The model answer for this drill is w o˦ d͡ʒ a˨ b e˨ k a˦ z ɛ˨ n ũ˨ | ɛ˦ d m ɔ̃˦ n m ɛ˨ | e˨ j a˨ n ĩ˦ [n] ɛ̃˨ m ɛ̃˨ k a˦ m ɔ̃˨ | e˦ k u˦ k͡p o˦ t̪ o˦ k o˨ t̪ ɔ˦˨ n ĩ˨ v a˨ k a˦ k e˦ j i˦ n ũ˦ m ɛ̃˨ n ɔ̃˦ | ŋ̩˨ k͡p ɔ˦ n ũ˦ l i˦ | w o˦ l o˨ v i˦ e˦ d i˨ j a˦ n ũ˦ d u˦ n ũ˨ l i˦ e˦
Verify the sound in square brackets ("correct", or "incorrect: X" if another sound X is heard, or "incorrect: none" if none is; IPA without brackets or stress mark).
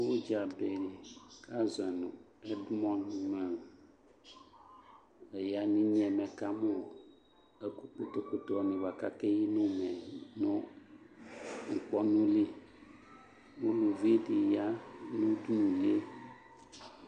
incorrect: ɲ